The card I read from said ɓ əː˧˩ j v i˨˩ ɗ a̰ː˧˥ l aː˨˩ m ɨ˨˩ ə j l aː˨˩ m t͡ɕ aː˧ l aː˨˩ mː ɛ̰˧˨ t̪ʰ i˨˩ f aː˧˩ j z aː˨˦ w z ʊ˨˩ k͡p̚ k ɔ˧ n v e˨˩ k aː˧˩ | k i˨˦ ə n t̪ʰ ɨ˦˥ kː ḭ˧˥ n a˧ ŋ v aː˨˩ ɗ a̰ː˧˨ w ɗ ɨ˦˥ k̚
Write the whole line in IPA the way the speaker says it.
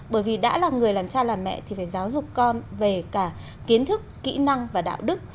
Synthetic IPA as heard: ɓ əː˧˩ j v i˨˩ ɗ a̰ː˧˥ l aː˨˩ ŋ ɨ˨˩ ə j l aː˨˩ m t͡ɕ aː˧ l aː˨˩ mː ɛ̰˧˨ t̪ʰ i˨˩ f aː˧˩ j z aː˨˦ w z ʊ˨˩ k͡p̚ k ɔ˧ n v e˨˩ k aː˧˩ | k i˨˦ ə n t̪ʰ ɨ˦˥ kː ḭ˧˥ n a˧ ŋ v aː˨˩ ɗ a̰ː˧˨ w ɗ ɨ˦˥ k̚